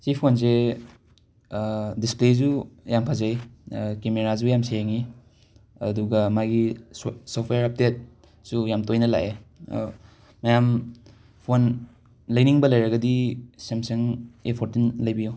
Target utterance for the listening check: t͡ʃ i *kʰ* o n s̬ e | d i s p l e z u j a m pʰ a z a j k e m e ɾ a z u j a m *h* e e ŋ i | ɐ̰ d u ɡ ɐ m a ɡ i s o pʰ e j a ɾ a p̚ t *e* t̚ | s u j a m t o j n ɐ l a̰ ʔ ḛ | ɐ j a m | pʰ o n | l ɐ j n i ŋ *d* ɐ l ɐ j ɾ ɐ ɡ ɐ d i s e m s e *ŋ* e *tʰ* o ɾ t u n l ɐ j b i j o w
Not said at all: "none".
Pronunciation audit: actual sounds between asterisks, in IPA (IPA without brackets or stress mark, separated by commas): pʰ, s, e, b, ŋ, pʰ